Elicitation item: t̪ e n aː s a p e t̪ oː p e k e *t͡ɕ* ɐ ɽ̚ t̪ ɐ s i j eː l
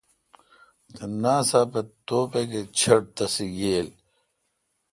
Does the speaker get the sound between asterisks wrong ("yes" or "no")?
yes